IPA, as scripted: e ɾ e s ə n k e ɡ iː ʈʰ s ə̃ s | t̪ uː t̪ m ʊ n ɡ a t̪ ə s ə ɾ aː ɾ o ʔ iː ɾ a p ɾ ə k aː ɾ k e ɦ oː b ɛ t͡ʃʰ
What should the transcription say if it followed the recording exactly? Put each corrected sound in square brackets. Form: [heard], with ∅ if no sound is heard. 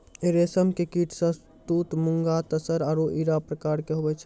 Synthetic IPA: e ɾ e s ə [m] k e [k] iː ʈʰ s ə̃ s | t̪ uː t̪ m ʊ [ŋ] ɡ a t̪ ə s ə ɾ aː ɾ o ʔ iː ɾ a p ɾ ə k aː ɾ k e ɦ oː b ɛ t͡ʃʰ